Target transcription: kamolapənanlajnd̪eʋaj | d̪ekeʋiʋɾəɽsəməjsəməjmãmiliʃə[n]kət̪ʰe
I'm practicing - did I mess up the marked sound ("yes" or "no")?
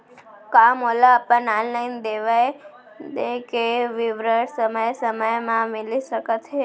yes